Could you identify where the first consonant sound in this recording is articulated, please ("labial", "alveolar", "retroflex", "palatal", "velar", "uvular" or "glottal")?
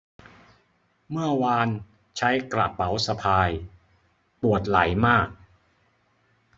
labial